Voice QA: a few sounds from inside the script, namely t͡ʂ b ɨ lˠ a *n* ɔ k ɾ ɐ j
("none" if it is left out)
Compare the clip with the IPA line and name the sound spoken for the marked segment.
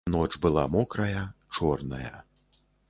m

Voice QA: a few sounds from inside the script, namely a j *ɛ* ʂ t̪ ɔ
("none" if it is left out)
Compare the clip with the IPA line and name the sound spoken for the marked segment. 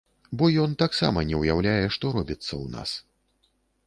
ɛ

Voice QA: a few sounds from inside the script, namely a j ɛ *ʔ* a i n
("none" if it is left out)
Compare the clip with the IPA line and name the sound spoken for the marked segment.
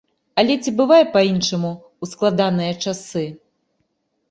p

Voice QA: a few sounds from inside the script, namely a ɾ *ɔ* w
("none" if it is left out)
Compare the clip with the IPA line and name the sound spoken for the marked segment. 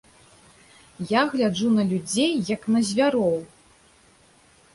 ɔ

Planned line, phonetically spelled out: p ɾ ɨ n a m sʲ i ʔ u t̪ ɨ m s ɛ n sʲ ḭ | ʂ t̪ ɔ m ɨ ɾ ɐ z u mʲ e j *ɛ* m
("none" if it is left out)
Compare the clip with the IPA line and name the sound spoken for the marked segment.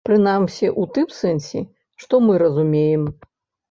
ɛ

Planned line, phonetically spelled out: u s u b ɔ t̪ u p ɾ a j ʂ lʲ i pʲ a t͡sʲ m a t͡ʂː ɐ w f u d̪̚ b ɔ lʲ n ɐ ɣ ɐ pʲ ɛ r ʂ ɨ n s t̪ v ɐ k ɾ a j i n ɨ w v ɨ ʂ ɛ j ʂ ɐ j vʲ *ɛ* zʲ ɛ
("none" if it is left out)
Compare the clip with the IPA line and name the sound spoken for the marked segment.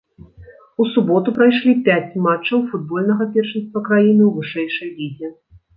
i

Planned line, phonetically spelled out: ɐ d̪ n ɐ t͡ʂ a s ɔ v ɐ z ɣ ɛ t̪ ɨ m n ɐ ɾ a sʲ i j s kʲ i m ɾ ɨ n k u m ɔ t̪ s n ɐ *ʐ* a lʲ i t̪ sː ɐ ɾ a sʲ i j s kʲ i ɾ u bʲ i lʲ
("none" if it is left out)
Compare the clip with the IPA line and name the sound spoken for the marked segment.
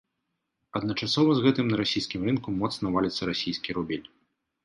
v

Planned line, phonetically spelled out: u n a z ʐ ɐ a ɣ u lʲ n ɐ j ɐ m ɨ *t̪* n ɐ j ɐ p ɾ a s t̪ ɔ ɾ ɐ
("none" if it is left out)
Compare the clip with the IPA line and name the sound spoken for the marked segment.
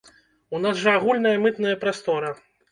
t̪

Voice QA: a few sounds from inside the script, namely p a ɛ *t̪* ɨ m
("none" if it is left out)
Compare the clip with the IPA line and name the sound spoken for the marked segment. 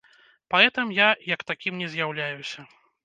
t̪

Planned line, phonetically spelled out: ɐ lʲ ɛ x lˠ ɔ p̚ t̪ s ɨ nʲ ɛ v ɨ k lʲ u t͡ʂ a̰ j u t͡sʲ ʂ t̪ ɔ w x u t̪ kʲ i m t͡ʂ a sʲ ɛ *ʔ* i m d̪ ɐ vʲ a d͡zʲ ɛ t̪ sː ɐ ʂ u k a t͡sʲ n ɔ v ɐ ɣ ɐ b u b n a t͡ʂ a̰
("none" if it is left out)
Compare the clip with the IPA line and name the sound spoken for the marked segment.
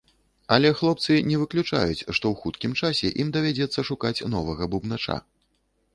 ʔ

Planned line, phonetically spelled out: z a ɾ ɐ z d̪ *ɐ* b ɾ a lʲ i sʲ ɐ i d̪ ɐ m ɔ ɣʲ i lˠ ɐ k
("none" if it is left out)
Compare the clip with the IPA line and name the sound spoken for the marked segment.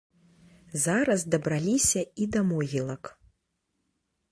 ɐ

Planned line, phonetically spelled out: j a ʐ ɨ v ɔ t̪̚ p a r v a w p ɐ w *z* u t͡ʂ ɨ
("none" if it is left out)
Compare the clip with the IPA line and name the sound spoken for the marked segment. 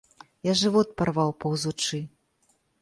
z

